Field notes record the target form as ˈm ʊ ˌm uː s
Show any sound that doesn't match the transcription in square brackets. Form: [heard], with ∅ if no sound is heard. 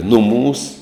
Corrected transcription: [ˈn] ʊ ˌm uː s